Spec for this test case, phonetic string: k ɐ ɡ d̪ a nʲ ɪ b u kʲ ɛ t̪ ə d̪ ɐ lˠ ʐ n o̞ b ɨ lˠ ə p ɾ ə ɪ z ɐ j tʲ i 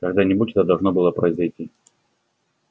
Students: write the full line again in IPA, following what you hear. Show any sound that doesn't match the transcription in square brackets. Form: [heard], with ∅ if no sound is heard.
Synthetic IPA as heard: k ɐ ɡ d̪ a nʲ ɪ b u [tʲ] ɛ t̪ ə d̪ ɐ lˠ ʐ n o̞ b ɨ lˠ ə p ɾ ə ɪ z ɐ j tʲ i